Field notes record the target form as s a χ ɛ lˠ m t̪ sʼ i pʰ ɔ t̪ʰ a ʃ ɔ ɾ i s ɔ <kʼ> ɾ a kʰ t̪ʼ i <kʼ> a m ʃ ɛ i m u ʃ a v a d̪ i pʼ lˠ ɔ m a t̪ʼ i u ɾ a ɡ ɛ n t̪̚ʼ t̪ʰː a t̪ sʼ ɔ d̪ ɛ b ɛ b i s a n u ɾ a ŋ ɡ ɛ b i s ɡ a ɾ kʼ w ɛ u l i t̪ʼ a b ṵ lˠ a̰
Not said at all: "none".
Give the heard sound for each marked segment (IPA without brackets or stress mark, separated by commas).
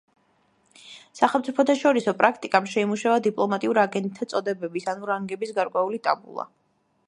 pʼ, kʼ